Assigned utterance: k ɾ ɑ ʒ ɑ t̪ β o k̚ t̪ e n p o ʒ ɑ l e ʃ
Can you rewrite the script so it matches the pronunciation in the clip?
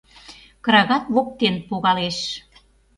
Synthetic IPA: k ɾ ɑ ɣ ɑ t̪ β o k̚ t̪ e n p o ɣ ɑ l e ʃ